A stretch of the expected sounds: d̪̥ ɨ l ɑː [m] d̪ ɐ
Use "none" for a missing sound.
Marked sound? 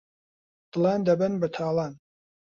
n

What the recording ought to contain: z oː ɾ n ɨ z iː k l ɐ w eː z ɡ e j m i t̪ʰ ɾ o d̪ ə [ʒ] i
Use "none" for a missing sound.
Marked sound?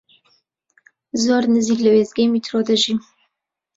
ʒ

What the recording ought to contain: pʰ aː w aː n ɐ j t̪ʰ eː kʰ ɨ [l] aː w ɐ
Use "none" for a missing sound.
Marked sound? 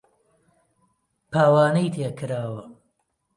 ɾ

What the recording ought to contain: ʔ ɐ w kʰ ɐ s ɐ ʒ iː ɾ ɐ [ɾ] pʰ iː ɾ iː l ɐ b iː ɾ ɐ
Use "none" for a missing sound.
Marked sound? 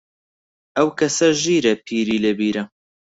none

